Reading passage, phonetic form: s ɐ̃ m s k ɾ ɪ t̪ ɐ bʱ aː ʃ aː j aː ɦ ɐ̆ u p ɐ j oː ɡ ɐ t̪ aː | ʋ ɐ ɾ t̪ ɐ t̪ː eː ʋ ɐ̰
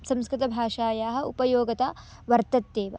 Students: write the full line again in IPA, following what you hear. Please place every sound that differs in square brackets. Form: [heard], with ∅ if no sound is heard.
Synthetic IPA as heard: s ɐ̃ m s k ɾ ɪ t̪ ɐ bʱ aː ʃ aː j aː ɦ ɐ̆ u p ɐ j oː ɡ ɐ t̪ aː | ʋ ɐ ɾ t̪ ɐ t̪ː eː ʋ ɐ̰